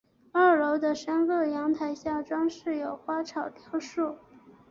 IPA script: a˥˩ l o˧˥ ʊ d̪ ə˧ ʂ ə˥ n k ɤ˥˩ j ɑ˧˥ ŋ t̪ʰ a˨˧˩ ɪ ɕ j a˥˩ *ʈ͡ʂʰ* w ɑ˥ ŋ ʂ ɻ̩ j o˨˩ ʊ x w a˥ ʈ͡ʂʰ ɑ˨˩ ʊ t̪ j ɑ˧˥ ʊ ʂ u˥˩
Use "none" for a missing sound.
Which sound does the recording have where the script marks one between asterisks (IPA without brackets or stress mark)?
ʈ͡ʂ